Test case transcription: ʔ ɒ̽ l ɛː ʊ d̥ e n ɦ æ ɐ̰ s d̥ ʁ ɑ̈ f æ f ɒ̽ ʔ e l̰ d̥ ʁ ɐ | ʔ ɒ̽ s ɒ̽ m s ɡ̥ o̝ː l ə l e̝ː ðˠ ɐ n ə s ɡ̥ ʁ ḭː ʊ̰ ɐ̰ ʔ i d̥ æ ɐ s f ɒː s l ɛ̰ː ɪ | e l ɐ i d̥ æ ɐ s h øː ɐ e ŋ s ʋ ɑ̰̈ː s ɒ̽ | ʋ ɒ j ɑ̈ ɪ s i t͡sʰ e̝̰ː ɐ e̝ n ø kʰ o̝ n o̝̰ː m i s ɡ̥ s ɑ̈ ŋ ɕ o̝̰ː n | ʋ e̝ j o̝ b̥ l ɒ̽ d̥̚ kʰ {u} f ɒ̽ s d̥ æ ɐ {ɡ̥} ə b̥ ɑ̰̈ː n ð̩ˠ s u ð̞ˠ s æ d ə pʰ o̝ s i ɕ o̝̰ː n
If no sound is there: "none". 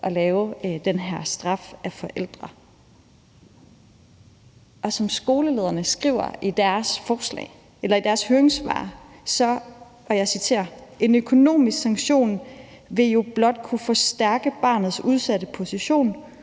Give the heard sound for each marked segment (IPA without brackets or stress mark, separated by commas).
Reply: u, ɡ̥